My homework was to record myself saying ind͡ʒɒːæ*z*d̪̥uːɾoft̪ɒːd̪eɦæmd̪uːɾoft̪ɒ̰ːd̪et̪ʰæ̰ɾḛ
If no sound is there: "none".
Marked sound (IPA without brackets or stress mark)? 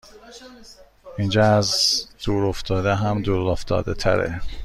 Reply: z